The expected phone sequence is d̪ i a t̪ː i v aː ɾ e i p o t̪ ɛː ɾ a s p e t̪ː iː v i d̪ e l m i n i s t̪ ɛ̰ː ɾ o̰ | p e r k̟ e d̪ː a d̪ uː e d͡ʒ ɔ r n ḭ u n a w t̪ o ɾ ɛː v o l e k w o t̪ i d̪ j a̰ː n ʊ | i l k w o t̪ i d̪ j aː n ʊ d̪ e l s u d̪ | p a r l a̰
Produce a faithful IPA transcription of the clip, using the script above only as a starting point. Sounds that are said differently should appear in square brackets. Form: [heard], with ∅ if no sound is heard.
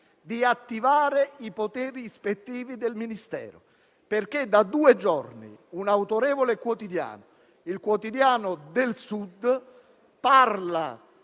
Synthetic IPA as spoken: d̪ i a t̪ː i v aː ɾ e i p o t̪ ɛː ɾ [i] s p e t̪ː iː v i d̪ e l m i n i s t̪ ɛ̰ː ɾ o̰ | p e r k̟ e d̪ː a d̪ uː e d͡ʒ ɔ r n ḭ u n a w t̪ o ɾ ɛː v o l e k w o t̪ i d̪ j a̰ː n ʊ | i l k w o t̪ i d̪ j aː n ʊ d̪ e l s u d̪ | p a r l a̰

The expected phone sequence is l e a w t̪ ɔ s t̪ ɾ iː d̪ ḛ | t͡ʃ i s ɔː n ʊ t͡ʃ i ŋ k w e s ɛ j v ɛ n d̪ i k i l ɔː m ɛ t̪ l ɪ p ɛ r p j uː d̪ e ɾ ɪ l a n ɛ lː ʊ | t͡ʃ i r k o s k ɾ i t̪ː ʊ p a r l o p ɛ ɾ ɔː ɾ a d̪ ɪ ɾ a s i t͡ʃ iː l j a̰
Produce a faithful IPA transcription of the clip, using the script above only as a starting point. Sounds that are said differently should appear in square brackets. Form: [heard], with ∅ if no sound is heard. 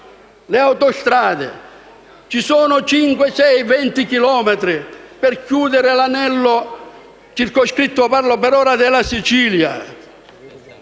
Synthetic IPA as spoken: l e a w t̪ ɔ s t̪ ɾ [aː] d̪ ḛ | t͡ʃ i s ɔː n ʊ t͡ʃ i ŋ k w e s ɛ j v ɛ n [t̪] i k i l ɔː m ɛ t̪ [ɾ] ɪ p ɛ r [k] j uː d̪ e ɾ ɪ l a n ɛ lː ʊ | t͡ʃ i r k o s k ɾ i t̪ː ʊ p a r l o p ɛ ɾ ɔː ɾ a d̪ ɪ [l] a s i t͡ʃ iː l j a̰

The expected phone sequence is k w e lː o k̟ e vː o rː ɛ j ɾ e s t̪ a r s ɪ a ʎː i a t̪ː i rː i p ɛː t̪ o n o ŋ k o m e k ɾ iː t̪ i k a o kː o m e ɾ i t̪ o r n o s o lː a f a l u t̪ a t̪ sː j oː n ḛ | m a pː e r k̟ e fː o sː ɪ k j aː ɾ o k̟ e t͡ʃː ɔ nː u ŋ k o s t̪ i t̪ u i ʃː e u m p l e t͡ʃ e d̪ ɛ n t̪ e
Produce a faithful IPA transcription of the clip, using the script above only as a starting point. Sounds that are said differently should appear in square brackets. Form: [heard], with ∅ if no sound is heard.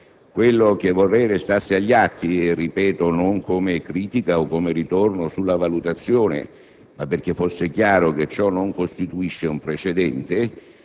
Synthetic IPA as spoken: k w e lː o k̟ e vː o rː ɛ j ɾ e s t̪ a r s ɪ a ʎː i a t̪ː i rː i p ɛː t̪ o n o ŋ k o m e k ɾ iː t̪ i k a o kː o m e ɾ i t̪ o r n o s [u] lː a [v] a l u t̪ a t̪ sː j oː n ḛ | m a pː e r k̟ e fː o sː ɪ k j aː ɾ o k̟ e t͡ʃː ɔ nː [o] ŋ k o s t̪ i t̪ u i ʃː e u m p [ɾ] e t͡ʃ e d̪ ɛ n t̪ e

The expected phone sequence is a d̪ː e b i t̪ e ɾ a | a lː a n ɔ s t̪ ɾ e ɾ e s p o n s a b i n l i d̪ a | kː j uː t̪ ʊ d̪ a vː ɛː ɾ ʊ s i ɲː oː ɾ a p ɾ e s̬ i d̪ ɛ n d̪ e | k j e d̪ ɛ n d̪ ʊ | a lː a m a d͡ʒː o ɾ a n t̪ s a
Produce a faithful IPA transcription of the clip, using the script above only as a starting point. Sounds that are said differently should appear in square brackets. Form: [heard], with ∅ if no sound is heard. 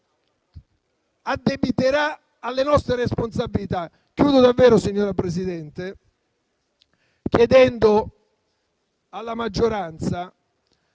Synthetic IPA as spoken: a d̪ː e b i t̪ e ɾ a | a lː [e] n ɔ s t̪ ɾ e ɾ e s p o n s a b i [∅] l i [t̪] a | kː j uː [d̪] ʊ d̪ a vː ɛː ɾ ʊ s i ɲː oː ɾ a p ɾ e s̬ i d̪ ɛ n [t̪] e | k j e d̪ ɛ n d̪ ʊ | a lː a m a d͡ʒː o ɾ a n t̪ s a

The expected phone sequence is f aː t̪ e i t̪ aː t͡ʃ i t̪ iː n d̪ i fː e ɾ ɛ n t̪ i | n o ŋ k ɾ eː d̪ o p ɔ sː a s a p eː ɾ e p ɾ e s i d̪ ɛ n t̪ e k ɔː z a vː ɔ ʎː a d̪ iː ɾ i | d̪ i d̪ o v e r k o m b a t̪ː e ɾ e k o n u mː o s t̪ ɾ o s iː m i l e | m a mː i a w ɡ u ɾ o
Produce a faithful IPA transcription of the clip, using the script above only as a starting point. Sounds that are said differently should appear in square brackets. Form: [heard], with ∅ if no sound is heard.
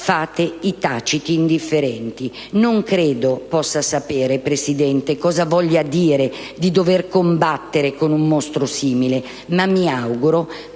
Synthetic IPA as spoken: f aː t̪ e i t̪ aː t͡ʃ i t̪ iː n d̪ i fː e ɾ ɛ n t̪ i | n o ŋ k ɾ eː d̪ o p ɔ sː a s a p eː ɾ e p ɾ e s i d̪ ɛ n t̪ e k ɔː z a [v] ɔ ʎː a d̪ iː ɾ [e] | d̪ i d̪ o v e r k o m b a t̪ː e ɾ e k o n u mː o s t̪ ɾ o s iː m i l e | m a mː i a w ɡ u ɾ o

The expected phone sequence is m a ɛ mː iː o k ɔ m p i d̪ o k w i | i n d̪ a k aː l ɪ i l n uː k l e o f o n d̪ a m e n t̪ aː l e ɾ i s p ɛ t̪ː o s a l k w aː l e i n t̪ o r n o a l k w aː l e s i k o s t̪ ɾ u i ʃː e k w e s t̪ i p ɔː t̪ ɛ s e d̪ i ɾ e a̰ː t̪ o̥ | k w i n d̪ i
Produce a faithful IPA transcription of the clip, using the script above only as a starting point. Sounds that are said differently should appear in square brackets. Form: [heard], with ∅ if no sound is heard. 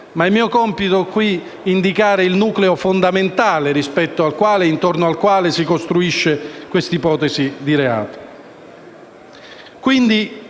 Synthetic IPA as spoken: m a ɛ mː iː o k ɔ m p i [t̪] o k w i | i n d̪ [i] k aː [ɾ] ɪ i l n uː k l e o f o n d̪ a m e n t̪ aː l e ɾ i s p ɛ t̪ː o [∅] a l k w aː l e i n t̪ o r n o a l k w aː l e s i k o s t̪ ɾ u i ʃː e k w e s t̪ i p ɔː t̪ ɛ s [i] d̪ i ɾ e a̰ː t̪ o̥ | k w i n d̪ i

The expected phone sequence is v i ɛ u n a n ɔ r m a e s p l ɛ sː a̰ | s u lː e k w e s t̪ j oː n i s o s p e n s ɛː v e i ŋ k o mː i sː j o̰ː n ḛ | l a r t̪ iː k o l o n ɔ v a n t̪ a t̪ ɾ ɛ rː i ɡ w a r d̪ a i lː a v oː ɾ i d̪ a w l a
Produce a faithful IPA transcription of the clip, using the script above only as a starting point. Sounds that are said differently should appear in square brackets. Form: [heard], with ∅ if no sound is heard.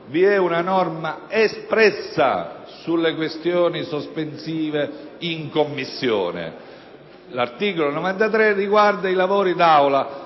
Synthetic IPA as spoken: v i ɛ u n a n ɔ r m a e s p [ɾ] ɛ sː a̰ | s u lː e k w e s t̪ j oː n i s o s p e n s [iː] v e i ŋ k o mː i sː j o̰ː n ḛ | l a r t̪ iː k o l o n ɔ v a n t̪ a t̪ ɾ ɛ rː i ɡ w a r d̪ a i [l] a v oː ɾ i d̪ a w l a

